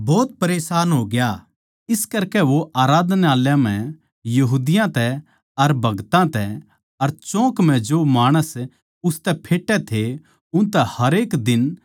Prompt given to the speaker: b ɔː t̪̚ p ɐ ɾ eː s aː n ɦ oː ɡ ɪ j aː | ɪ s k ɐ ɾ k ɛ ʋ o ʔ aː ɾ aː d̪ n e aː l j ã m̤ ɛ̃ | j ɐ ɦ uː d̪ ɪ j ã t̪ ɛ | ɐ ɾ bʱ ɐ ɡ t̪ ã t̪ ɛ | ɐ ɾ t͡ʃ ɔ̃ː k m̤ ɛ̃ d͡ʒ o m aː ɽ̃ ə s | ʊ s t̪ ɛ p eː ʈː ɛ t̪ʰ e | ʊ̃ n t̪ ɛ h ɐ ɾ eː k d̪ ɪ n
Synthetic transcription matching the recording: b ɔː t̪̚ p ɐ ɾ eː s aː n ɦ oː ɡ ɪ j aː | ɪ s k ɐ ɾ k ɛ ʋ o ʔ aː ɾ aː d̪ n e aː l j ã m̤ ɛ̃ | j ɐ ɦ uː d̪ ɪ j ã t̪ ɛ | ɐ ɾ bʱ ɐ ɡ t̪ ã t̪ ɛ | ɐ ɾ t͡ʃ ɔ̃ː k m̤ ɛ̃ d͡ʒ o m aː ɽ̃ ə s | ʊ s t̪ ɛ pʰ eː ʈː ɛ t̪ʰ e | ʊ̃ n t̪ ɛ h ɐ ɾ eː k d̪ ɪ n